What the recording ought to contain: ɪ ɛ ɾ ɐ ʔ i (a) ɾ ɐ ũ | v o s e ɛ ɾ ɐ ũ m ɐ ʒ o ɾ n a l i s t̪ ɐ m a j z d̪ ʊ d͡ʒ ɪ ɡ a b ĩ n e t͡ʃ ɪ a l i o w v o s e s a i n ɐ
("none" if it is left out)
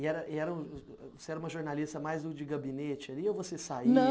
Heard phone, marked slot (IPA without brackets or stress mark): ɛ